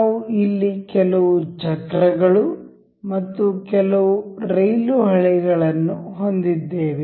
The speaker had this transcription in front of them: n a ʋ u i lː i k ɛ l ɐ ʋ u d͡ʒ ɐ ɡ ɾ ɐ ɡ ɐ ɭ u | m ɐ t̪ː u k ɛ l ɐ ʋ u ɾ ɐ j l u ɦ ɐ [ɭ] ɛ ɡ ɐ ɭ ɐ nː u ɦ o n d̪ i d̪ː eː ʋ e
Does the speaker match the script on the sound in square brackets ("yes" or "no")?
yes